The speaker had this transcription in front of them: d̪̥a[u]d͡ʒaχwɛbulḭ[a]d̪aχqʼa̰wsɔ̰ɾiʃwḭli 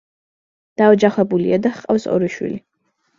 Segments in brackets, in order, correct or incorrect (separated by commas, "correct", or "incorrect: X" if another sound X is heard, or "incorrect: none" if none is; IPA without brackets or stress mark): incorrect: ɔ, correct